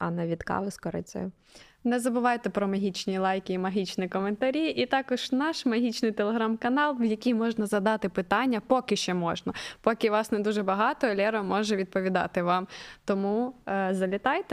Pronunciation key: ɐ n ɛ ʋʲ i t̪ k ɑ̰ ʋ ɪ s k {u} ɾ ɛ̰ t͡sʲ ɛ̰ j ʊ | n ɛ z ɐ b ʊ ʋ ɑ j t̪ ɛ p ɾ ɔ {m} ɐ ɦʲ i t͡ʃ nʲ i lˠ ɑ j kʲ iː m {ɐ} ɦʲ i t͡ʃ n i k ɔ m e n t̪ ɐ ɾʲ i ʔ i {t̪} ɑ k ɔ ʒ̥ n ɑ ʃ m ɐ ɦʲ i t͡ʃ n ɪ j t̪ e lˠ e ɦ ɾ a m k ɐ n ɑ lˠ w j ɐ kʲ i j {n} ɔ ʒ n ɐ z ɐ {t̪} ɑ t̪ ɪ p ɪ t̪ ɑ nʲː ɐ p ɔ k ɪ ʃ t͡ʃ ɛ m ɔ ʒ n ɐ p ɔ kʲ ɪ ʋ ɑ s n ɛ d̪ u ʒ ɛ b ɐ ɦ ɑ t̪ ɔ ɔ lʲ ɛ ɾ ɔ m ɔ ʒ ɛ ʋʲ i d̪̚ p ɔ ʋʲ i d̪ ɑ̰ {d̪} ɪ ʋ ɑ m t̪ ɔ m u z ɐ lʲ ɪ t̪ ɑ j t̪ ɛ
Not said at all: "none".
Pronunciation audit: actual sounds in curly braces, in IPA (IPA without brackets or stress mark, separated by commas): ɔ, m, ɐ, t̪, m, d̪, t̪